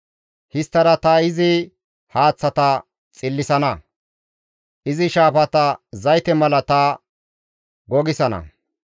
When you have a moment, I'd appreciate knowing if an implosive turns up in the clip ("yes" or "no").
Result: no